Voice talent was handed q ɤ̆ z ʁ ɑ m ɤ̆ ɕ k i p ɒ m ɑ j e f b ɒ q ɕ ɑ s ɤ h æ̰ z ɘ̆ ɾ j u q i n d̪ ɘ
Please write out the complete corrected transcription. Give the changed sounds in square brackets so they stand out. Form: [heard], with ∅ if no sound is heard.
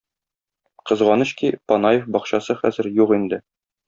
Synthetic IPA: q ɤ̆ z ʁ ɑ [n] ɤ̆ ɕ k i p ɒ [n] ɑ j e f b ɒ q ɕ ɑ s ɤ [χ] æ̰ z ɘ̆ ɾ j u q i n d̪ ɘ